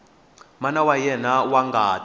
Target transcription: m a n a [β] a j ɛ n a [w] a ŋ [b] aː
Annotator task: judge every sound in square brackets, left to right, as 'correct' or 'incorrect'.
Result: incorrect, correct, incorrect

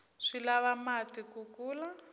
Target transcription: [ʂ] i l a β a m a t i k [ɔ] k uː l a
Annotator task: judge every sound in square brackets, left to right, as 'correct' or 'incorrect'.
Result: correct, incorrect

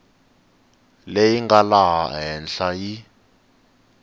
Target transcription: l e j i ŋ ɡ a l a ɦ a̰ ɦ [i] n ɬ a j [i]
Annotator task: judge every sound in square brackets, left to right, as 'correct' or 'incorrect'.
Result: incorrect, correct

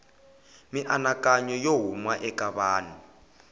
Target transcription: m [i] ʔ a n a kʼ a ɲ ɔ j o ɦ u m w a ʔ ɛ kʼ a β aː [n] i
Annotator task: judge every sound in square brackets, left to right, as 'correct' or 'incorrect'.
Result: correct, correct

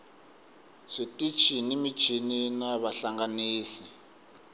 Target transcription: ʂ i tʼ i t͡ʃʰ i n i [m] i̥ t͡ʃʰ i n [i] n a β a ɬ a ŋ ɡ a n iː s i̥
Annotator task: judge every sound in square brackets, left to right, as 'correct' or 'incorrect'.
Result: correct, correct

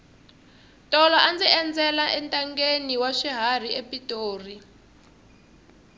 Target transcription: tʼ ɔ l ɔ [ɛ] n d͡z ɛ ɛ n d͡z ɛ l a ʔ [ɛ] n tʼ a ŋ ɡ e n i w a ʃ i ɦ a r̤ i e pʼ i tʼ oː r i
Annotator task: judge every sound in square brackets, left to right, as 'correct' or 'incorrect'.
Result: incorrect, correct

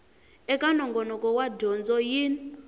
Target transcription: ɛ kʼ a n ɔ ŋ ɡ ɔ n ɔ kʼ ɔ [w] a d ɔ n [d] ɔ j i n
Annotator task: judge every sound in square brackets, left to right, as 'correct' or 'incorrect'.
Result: correct, incorrect

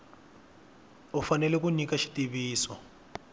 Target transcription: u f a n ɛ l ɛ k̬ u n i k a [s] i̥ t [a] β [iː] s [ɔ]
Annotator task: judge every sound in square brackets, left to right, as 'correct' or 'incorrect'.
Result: incorrect, incorrect, correct, correct

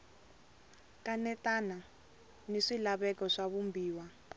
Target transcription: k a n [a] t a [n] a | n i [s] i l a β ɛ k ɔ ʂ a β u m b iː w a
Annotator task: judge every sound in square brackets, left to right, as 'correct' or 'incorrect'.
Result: incorrect, correct, incorrect

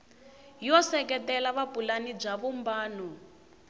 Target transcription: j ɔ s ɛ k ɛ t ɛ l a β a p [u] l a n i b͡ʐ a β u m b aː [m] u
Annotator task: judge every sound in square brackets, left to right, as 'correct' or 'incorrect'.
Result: correct, incorrect

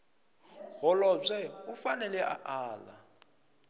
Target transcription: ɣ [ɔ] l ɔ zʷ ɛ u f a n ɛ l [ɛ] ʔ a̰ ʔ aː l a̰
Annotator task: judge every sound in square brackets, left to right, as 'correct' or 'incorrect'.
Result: correct, correct

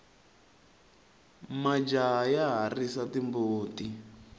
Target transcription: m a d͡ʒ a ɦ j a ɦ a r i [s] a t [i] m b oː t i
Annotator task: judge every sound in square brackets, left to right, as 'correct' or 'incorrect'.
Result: correct, correct

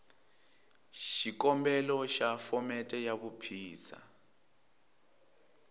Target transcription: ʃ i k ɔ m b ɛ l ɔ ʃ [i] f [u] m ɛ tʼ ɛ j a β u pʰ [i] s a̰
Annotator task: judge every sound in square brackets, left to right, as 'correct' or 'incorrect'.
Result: incorrect, incorrect, incorrect

